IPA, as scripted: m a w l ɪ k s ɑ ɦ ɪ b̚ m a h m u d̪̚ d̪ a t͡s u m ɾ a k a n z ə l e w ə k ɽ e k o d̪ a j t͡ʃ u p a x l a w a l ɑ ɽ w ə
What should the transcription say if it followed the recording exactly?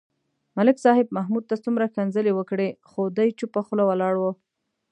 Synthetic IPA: m a l ɪ k s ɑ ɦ ɪ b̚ m a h m u d̪̚ t̪ a t͡s u m ɾ a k a n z ə l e w ə k ɽ e x o d̪ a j t͡ʃ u p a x l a w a l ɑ ɽ w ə